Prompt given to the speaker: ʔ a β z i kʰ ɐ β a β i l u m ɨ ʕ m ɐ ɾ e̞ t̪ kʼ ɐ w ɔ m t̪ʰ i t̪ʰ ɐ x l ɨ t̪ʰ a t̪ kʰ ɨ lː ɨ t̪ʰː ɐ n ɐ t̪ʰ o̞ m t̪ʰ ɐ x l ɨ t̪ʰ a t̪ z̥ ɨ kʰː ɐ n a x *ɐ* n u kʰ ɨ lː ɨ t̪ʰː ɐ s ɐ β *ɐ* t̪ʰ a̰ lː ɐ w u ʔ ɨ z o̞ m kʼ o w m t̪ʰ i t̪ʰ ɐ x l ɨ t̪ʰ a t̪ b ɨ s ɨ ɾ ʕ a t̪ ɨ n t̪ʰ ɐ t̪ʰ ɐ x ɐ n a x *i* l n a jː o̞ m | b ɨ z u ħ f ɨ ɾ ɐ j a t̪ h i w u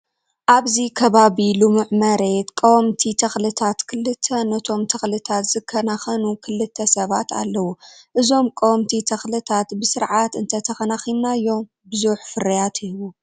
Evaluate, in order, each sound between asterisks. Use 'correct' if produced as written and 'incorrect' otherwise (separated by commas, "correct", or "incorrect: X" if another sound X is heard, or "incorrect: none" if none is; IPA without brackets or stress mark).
correct, incorrect: a, correct